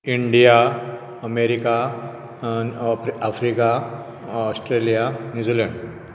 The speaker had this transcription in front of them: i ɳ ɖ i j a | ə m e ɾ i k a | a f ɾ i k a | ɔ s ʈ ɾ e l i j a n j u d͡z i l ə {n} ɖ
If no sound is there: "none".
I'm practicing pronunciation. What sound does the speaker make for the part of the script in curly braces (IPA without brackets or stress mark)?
ɳ